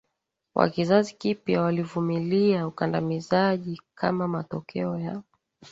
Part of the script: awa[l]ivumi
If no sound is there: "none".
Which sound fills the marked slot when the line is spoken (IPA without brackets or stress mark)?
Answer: l